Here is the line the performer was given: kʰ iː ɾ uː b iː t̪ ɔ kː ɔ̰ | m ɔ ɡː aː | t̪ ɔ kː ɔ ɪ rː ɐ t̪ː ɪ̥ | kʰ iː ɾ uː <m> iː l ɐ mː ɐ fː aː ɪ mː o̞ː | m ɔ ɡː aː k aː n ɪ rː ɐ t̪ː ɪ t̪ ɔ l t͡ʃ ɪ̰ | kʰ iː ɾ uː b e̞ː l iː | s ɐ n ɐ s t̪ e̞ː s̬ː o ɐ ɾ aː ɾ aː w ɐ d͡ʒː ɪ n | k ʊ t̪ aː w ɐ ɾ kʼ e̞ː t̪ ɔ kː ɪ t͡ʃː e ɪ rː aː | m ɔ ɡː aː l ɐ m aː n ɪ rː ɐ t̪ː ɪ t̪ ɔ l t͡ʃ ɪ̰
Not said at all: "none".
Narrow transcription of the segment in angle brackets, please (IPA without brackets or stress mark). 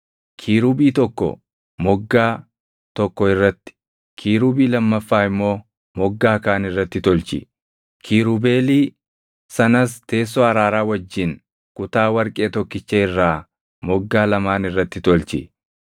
b